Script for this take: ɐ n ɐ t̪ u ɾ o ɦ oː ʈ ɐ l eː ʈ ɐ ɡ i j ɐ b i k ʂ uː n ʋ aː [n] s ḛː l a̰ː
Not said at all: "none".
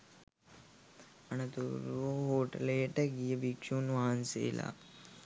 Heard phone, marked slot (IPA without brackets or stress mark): n